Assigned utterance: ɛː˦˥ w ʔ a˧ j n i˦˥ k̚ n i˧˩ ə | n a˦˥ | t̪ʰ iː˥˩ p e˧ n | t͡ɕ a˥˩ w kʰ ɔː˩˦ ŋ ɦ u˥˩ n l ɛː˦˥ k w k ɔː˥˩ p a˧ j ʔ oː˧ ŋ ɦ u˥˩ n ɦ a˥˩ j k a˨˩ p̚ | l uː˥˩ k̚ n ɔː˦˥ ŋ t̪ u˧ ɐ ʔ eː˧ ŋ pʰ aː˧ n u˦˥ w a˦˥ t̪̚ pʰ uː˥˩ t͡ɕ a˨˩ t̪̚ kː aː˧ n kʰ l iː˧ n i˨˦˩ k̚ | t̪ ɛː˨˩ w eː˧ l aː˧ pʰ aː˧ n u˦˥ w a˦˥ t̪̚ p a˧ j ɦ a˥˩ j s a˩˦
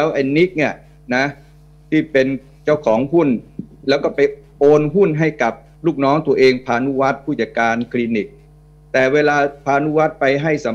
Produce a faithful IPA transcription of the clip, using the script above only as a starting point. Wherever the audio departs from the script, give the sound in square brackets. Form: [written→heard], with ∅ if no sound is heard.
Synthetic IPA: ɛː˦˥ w ʔ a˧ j n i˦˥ k̚ n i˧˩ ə | n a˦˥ | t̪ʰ iː˥˩ p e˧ n | t͡ɕ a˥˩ w kʰ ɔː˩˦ ŋ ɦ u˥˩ n l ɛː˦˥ [k→∅] w k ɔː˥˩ p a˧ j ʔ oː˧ [ŋ→n] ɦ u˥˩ n ɦ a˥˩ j k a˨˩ p̚ | l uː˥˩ k̚ n ɔː˦˥ ŋ t̪ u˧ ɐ ʔ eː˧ ŋ pʰ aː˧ n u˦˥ w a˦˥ t̪̚ pʰ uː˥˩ t͡ɕ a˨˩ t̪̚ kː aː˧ n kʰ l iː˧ n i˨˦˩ k̚ | t̪ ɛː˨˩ w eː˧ l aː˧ pʰ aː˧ n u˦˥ w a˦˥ t̪̚ p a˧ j ɦ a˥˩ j s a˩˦